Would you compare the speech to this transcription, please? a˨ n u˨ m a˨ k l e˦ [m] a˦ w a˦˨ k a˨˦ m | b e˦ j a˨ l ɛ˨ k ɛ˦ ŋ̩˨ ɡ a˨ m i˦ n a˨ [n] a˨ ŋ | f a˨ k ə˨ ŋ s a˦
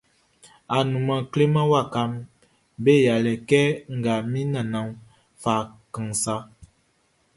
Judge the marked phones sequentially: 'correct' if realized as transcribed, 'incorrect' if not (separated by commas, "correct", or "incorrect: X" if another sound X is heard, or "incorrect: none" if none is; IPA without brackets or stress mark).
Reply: correct, correct